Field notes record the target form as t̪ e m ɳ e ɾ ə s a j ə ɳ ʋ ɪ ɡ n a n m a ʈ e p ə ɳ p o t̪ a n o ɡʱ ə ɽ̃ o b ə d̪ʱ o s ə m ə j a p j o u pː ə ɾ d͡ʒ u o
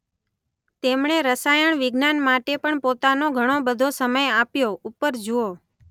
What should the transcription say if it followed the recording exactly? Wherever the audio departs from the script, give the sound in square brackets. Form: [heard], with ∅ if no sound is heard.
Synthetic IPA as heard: t̪ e m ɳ e ɾ ə s a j ə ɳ ʋ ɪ ɡ n a n m a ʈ e p ə ɳ p o t̪ a n o ɡʱ ə ɽ̃ o b ə d̪ʱ o s ə m ə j a p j o u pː ə ɾ d͡ʒ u o